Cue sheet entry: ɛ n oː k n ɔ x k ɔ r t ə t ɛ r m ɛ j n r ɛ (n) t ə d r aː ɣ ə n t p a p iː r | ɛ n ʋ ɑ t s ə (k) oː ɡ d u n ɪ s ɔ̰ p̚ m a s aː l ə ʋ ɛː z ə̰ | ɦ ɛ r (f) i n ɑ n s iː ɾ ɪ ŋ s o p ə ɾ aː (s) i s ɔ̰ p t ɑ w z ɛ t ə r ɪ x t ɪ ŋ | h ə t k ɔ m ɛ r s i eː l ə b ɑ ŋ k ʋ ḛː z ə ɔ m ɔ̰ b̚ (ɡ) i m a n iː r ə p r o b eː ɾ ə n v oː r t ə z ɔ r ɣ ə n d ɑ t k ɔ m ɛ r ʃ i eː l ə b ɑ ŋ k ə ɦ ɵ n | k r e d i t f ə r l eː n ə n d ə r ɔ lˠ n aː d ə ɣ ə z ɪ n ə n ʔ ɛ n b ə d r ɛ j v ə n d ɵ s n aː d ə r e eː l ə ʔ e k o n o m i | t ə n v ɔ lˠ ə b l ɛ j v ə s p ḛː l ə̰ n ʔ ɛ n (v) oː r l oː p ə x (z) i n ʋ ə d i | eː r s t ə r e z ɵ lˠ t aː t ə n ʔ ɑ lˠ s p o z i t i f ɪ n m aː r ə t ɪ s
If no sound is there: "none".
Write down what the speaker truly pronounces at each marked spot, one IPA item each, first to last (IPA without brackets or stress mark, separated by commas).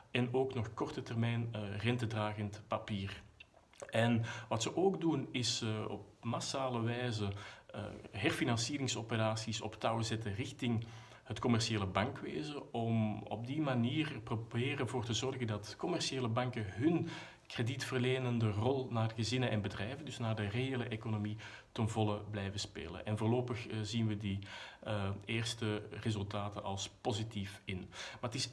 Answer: n, ʔ, f, s, d, v, z